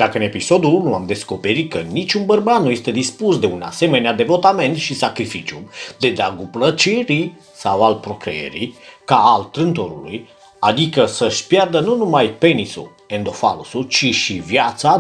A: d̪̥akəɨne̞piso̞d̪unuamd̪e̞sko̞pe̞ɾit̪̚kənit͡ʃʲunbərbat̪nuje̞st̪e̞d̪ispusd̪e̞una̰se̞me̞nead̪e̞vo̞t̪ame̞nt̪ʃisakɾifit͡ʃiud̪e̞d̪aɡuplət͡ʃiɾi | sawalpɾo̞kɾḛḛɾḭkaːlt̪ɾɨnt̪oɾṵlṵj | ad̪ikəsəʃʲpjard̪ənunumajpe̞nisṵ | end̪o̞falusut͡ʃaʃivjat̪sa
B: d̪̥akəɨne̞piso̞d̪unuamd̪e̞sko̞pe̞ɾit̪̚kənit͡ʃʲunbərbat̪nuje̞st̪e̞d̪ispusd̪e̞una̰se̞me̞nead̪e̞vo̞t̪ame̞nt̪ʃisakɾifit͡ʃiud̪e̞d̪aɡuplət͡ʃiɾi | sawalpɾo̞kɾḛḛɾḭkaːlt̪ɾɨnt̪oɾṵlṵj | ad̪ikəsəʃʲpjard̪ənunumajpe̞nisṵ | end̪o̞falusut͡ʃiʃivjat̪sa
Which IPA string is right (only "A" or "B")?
B